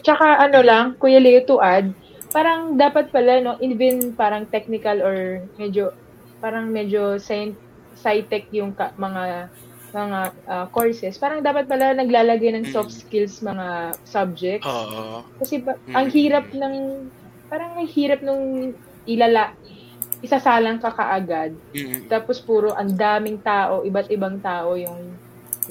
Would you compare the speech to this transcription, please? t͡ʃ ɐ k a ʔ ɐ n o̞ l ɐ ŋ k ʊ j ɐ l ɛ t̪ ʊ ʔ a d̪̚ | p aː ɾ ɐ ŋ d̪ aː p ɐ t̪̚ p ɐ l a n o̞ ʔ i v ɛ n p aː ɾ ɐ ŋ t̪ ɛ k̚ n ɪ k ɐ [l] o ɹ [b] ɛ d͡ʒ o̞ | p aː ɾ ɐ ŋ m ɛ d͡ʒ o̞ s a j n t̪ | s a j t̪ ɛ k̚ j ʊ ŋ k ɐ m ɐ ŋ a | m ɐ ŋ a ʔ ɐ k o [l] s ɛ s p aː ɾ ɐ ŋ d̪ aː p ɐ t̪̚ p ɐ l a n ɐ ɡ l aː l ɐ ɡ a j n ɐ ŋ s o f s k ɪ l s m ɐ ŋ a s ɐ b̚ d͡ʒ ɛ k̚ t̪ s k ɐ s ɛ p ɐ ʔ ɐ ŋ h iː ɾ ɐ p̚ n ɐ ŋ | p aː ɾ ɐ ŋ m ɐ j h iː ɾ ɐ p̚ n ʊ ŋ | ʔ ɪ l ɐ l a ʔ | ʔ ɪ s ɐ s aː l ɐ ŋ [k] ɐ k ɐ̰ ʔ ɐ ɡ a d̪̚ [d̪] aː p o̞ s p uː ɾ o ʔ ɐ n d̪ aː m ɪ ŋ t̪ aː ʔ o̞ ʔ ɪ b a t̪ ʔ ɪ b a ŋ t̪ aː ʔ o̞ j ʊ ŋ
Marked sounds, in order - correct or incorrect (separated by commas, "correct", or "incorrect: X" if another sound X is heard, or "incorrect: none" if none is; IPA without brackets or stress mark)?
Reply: correct, incorrect: m, incorrect: ɹ, correct, incorrect: t̪